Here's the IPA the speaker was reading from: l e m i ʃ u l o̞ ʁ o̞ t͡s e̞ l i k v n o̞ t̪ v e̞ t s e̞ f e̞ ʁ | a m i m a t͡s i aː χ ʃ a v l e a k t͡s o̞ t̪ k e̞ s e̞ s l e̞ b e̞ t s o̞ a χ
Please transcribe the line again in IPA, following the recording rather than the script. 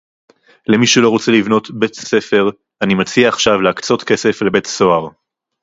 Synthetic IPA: l e m i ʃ u l o̞ ʁ o̞ t͡s e̞ l i v n o̞ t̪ b e̞ t s e̞ f e̞ ʁ | a n i m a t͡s i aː χ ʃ a v l e a k t͡s o̞ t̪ k e̞ s e̞ f l e̞ b e̞ t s o̞ a ʁ